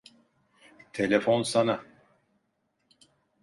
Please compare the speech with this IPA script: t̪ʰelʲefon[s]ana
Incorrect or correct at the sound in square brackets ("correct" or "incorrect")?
correct